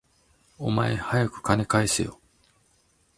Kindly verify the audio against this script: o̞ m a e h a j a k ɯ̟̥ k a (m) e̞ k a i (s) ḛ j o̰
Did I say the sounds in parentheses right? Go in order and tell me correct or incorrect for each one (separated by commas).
incorrect, correct